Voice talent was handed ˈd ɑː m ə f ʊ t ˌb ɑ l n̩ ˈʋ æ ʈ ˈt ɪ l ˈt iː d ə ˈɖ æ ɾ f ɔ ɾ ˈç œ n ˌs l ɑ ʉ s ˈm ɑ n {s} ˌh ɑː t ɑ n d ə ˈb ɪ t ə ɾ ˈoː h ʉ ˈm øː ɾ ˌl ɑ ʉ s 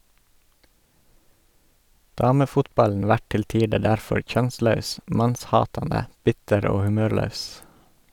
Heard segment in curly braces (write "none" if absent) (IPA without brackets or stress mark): s